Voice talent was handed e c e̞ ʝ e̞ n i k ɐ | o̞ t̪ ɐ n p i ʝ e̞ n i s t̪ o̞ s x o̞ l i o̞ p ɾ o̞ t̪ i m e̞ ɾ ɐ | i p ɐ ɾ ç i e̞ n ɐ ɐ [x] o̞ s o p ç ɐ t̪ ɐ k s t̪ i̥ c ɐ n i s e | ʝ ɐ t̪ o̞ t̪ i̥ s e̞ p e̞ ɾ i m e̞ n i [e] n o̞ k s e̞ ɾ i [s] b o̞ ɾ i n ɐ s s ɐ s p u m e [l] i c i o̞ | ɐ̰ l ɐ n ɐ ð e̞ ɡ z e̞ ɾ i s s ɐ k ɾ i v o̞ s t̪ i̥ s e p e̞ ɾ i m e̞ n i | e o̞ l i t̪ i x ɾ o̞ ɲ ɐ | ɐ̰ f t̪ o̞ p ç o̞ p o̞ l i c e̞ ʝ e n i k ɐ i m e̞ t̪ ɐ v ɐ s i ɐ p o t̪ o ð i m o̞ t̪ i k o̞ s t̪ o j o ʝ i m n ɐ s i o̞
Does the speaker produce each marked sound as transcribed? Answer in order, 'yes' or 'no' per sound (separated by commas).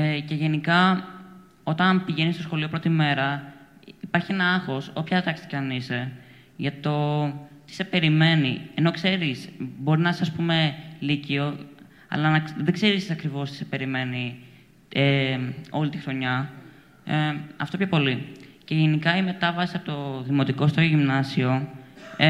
yes, yes, yes, yes